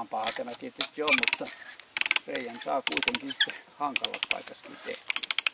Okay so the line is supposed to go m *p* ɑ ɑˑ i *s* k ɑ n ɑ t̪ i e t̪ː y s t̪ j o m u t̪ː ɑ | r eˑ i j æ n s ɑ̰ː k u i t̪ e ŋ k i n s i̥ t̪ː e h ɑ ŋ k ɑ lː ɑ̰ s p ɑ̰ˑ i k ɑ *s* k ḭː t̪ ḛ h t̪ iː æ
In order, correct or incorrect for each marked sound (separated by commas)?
correct, incorrect, correct